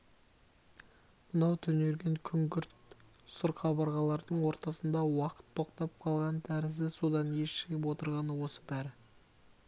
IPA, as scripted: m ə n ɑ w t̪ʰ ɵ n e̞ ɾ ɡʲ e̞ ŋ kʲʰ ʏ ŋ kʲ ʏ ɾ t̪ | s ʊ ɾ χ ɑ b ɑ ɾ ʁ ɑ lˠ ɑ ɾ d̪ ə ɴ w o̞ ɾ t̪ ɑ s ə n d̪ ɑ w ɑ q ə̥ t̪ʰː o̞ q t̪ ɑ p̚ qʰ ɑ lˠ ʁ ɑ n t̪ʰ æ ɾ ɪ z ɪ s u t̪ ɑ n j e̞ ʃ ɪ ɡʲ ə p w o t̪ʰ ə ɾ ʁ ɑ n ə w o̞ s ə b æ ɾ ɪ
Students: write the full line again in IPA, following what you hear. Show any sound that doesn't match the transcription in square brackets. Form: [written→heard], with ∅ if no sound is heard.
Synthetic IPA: m ə n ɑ w t̪ʰ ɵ n e̞ ɾ ɡʲ e̞ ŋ kʲʰ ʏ ŋ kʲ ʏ ɾ t̪ | s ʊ ɾ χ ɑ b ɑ ɾ ʁ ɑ lˠ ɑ ɾ d̪ ə ɴ w o̞ ɾ t̪ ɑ s ə n d̪ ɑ w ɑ q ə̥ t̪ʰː o̞ q t̪ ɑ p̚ qʰ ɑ lˠ ʁ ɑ n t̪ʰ æ ɾ ɪ z ɪ s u [t̪→d̪] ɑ n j e̞ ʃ ɪ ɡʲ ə p w o [t̪ʰ→t̪] ə ɾ ʁ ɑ n ə w o̞ s ə b æ ɾ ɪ

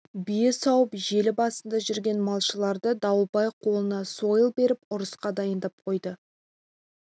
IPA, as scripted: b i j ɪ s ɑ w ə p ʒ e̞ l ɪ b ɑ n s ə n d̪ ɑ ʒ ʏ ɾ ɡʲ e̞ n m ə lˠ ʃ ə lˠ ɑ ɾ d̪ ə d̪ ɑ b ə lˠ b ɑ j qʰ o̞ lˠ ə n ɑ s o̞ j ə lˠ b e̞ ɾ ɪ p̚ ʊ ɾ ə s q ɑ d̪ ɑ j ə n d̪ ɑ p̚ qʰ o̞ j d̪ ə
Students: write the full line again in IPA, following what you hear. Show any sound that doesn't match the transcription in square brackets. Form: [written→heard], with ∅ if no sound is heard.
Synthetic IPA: b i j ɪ s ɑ w ə p ʒ e̞ l ɪ b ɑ [n→∅] s ə n d̪ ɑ ʒ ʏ ɾ ɡʲ e̞ n m [ə→ɑ] lˠ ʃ ə lˠ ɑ ɾ d̪ ə d̪ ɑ [b→w] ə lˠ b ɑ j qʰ o̞ lˠ ə n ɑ s o̞ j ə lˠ b e̞ ɾ ɪ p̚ ʊ ɾ ə s q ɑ d̪ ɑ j ə n d̪ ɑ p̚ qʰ o̞ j d̪ ə

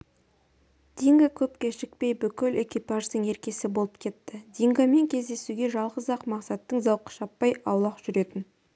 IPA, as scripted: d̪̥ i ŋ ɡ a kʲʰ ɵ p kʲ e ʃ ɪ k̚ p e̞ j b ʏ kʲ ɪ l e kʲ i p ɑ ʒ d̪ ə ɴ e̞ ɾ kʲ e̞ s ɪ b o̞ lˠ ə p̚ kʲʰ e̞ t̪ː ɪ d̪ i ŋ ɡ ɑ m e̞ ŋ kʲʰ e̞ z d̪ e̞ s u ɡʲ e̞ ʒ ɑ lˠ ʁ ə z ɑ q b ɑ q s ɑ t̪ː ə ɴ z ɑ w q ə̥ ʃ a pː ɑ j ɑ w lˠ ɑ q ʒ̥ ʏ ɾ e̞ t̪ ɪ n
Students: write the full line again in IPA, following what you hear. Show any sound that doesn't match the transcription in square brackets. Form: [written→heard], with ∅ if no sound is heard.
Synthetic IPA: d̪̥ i ŋ ɡ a kʲʰ ɵ p kʲ e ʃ ɪ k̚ p e̞ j b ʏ kʲ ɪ l e kʲ i p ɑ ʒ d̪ ə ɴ e̞ ɾ kʲ e̞ s ɪ b o̞ lˠ ə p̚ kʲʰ e̞ t̪ː ɪ d̪ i ŋ ɡ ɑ m e̞ ŋ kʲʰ e̞ z d̪ e̞ s u ɡʲ e̞ ʒ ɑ lˠ ʁ ə z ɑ q [b→m] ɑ q s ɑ t̪ː ə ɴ z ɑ w q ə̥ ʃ [a→ɑ] pː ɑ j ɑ w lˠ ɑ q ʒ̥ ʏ ɾ e̞ t̪ ɪ n

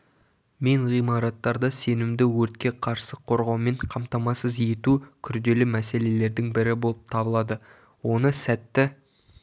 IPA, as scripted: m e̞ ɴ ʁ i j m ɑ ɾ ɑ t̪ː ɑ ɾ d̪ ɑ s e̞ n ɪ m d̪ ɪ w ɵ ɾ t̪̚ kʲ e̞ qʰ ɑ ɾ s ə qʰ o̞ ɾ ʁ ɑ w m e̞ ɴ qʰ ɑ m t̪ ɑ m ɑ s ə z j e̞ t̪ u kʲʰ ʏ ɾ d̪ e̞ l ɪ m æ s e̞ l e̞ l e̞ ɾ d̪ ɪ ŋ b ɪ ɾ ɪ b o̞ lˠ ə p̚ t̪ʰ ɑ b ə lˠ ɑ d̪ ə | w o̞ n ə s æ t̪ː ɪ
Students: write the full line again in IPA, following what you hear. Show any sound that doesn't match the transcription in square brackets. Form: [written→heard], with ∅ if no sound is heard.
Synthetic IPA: m e̞ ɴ ʁ i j m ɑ ɾ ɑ t̪ː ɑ ɾ d̪ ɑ s e̞ n ɪ m d̪ ɪ w ɵ ɾ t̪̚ kʲ e̞ qʰ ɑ ɾ s ə qʰ o̞ ɾ ʁ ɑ w m e̞ ɴ qʰ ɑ m t̪ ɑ m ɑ s ə z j e̞ t̪ u kʲʰ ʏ ɾ d̪ e̞ l ɪ m æ s e̞ l e̞ l e̞ ɾ d̪ ɪ ŋ b ɪ ɾ ɪ b o̞ lˠ ə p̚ t̪ʰ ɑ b ə lˠ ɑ d̪ ə | w o̞ n ə s æ t̪ː ɪ

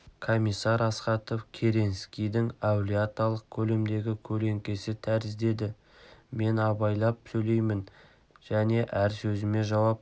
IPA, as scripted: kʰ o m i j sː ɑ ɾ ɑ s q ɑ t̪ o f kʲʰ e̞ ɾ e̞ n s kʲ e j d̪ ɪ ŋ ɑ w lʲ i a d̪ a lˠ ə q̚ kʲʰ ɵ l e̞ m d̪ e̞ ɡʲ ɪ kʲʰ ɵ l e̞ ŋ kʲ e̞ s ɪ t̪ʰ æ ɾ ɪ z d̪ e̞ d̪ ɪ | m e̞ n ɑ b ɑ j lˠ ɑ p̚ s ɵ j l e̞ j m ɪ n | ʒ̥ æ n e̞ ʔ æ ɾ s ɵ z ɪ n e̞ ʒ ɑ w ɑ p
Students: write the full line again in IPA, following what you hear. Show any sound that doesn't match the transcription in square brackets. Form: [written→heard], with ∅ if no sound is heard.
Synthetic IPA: kʰ o m i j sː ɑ ɾ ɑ s q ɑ t̪ o f kʲʰ e̞ ɾ e̞ n s kʲ [e→i] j d̪ ɪ ŋ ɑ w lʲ i a [d̪→t̪] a lˠ ə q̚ kʲʰ ɵ l e̞ m d̪ e̞ ɡʲ ɪ kʲʰ ɵ l e̞ ŋ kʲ e̞ s ɪ t̪ʰ æ ɾ ɪ z d̪ e̞ d̪ ɪ | m e̞ n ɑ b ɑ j lˠ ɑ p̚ s ɵ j l e̞ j m ɪ n | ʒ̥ æ n e̞ ʔ æ ɾ s ɵ z ɪ [n→m] e̞ ʒ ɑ w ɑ p

